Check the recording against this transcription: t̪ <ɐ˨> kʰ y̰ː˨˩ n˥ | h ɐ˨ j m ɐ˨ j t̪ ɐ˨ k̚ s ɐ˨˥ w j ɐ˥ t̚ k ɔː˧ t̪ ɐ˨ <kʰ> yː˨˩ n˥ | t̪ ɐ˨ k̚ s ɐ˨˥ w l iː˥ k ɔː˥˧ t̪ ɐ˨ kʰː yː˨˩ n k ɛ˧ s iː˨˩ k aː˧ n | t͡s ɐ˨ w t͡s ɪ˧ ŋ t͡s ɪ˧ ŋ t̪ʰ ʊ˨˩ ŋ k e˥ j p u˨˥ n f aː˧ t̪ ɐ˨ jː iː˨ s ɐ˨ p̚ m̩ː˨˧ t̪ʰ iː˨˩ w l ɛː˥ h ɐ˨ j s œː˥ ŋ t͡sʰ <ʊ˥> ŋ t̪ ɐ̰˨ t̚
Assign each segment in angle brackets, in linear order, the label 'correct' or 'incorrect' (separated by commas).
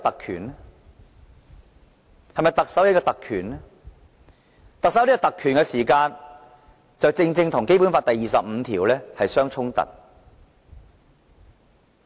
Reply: correct, correct, correct